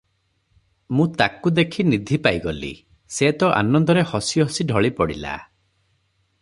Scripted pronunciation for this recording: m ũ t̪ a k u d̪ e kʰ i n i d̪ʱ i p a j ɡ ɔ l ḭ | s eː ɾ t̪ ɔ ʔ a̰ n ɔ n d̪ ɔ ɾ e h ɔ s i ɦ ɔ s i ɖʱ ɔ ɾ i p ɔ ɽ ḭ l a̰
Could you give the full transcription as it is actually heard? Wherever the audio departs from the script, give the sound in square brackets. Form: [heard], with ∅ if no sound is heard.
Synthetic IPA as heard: m ũ t̪ a k u d̪ e kʰ i n i d̪ʱ i p a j ɡ ɔ l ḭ | s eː [∅] t̪ ɔ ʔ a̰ n ɔ n d̪ ɔ ɾ e h ɔ s i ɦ ɔ s i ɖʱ ɔ [ɭ] i p ɔ ɽ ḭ l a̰

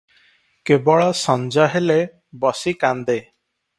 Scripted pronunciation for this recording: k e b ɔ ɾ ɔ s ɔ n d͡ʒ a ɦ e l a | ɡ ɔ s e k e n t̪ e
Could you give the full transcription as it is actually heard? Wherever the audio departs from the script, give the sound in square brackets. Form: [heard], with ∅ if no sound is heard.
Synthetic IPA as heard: k e b ɔ [ɭ] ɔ s ɔ n d͡ʒ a ɦ e l [e] | [b] ɔ s [i] k [a] n [d̪] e

